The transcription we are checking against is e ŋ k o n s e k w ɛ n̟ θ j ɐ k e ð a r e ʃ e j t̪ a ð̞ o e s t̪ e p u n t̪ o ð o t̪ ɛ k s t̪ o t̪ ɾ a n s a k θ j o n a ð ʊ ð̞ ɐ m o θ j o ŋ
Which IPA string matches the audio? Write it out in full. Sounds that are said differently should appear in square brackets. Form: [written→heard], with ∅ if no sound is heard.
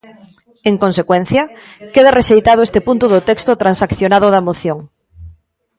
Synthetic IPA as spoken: e ŋ k o n s e k w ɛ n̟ θ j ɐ k e ð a r e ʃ e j t̪ a ð̞ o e s t̪ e p u n t̪ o ð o t̪ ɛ k s t̪ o t̪ ɾ a n s a k θ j o n a ð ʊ ð̞ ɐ m o θ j o ŋ

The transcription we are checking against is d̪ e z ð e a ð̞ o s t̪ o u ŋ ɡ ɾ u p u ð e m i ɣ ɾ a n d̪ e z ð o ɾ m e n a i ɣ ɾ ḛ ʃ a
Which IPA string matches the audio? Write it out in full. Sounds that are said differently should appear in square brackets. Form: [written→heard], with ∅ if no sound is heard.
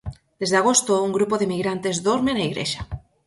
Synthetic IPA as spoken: d̪ e z ð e a [ð̞→ɣ̞] o s t̪ o u ŋ ɡ ɾ u p [u→o] ð e m i ɣ ɾ a n [d̪→t̪] e z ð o ɾ m e n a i ɣ ɾ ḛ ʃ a

